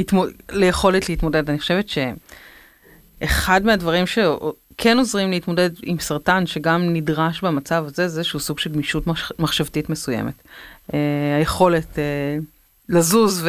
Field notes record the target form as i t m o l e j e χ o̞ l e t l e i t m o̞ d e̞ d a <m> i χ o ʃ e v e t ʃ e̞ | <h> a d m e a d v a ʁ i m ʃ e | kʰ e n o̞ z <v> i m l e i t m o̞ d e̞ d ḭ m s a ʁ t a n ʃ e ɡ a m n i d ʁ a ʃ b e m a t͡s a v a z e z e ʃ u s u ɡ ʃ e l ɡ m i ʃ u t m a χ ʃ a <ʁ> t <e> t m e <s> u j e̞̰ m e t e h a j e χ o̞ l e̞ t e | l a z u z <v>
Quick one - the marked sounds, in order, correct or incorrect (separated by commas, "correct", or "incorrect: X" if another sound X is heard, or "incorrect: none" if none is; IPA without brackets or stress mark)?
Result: incorrect: n, incorrect: χ, incorrect: ʁ, incorrect: v, incorrect: i, correct, correct